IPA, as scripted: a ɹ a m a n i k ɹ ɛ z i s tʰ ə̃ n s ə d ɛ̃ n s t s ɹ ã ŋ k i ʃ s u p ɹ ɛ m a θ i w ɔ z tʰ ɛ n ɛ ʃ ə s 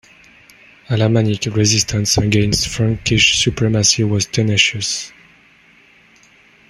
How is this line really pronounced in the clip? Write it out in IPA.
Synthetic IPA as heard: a l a m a n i k ɹ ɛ z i s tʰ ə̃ n s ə ɡ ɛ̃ n s t f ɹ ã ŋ k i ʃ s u p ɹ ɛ m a s i w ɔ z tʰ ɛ n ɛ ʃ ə s